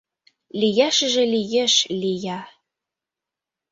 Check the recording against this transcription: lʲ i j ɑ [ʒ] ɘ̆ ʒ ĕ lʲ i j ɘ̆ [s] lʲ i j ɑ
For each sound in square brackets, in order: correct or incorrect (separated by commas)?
incorrect, incorrect